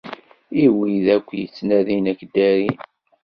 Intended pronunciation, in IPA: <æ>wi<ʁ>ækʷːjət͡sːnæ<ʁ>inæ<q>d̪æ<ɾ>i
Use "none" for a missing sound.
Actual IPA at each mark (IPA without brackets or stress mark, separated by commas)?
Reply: i, ð, ð, k, ɾ